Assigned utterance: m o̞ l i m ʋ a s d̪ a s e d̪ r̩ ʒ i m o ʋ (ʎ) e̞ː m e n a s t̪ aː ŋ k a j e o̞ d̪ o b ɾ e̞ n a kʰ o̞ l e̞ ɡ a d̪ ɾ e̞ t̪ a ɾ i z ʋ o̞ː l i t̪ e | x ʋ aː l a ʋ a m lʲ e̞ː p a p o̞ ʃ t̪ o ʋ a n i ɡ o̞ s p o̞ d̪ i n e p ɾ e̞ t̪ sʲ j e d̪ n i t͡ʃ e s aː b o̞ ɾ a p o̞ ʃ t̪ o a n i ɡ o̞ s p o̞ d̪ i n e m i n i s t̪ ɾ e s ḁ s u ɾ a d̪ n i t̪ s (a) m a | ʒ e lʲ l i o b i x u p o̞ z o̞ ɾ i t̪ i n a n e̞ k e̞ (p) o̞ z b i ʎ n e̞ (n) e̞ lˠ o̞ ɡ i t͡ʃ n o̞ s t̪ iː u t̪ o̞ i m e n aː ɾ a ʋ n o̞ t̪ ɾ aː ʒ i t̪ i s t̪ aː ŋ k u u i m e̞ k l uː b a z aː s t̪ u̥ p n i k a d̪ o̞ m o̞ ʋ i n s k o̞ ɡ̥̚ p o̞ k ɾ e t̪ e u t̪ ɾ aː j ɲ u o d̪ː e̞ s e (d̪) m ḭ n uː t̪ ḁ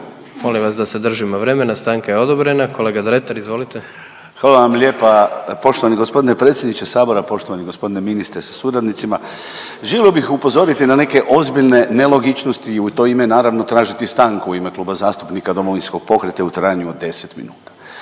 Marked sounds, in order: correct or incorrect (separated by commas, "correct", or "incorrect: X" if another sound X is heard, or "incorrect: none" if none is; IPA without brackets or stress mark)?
incorrect: ɾ, incorrect: i, incorrect: ʔ, correct, incorrect: t̪